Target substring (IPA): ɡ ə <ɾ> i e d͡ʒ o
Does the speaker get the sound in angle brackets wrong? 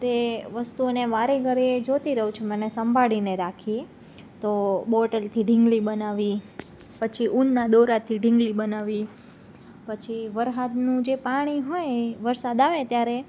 no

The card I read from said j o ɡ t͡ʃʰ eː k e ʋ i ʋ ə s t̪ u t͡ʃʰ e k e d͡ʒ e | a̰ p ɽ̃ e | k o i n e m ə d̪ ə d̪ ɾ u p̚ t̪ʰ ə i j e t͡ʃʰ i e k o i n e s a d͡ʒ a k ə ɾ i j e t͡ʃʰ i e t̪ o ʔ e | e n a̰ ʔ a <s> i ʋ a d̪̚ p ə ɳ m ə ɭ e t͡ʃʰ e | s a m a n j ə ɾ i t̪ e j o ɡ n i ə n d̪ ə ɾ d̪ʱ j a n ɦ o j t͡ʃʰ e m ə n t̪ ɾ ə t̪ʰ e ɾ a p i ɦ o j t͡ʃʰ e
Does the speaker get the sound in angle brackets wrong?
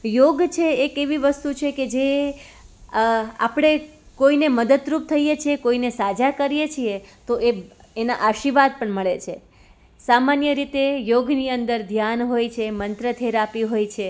yes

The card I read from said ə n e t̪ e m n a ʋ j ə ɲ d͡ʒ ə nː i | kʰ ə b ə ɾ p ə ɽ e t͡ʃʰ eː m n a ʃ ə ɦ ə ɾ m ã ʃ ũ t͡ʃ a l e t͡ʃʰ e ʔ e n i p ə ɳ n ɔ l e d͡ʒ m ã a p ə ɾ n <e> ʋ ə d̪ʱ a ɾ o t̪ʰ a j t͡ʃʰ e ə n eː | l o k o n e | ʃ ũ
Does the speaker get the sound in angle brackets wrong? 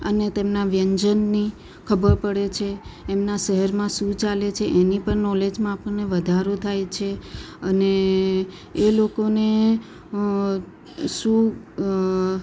no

